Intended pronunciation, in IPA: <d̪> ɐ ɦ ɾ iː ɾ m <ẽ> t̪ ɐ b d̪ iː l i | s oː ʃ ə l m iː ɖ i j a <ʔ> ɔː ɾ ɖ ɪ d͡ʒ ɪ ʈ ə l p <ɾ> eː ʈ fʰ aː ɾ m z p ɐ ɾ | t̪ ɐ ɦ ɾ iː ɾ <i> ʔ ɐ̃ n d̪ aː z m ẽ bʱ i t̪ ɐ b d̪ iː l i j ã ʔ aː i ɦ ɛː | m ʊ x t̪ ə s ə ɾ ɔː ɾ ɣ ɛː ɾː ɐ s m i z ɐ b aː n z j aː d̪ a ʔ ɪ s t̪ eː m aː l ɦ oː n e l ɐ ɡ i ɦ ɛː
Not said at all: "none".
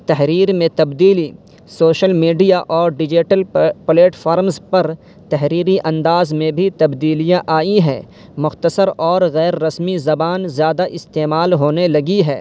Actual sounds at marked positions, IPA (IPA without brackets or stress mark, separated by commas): t̪, ẽ, ʔ, l, i